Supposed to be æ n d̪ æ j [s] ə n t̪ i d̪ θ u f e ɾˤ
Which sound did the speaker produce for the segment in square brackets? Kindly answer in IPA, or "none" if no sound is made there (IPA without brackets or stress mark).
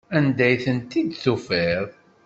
θ